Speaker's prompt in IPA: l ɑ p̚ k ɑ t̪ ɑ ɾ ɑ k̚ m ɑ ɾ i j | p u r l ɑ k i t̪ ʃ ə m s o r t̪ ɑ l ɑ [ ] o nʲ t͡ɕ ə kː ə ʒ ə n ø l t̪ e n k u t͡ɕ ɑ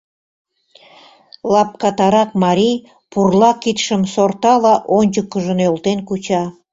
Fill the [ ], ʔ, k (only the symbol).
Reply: ʔ